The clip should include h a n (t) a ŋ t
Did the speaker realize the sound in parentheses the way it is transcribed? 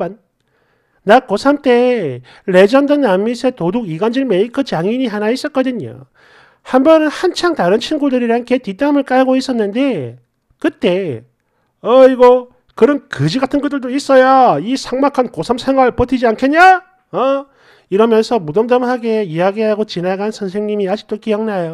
no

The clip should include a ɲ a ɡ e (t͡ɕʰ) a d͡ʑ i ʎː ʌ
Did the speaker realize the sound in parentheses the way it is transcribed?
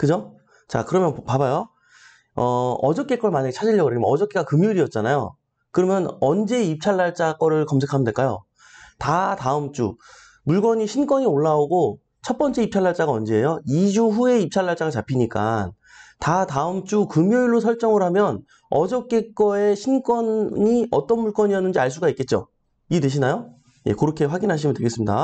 yes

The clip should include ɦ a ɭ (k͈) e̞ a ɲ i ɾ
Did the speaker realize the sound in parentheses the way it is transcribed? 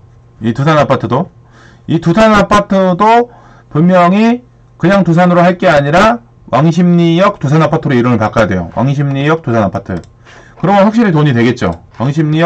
yes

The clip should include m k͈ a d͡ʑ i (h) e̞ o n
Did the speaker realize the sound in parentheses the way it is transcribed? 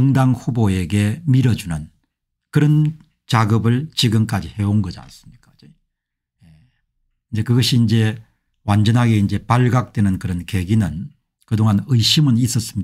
yes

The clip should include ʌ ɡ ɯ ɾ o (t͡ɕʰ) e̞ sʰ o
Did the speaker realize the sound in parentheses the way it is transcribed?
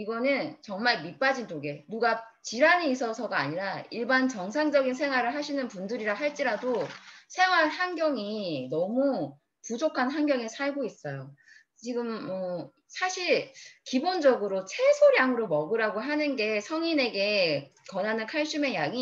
yes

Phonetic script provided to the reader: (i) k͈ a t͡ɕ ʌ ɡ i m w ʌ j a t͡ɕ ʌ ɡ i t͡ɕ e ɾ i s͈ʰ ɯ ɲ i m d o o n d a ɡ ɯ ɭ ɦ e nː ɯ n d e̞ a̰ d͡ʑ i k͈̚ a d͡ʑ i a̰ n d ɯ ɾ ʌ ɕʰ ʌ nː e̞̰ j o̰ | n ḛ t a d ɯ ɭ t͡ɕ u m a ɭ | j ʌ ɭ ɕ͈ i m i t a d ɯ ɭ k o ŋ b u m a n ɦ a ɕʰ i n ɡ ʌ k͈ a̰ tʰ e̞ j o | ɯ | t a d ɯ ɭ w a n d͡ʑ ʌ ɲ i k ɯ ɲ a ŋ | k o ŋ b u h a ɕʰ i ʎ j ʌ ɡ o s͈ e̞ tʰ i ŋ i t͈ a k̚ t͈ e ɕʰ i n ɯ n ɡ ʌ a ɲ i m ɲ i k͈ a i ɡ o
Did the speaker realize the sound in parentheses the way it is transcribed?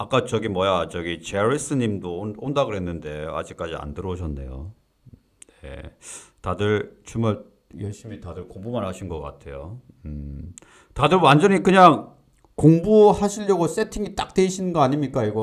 no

